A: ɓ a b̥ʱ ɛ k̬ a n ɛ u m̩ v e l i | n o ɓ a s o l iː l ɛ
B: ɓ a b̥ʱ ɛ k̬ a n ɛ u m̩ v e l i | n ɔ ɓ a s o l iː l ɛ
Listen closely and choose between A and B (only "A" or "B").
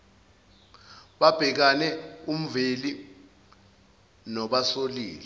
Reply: B